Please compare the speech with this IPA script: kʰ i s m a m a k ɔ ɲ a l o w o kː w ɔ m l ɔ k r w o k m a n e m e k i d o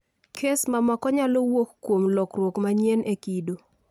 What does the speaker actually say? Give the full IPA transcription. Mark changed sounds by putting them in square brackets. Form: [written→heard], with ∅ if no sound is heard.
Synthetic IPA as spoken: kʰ [i→e] s m a m a k ɔ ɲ a l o w o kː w [ɔ→o] m l ɔ k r w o k m a [n→ɲ] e [m→n] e k i d o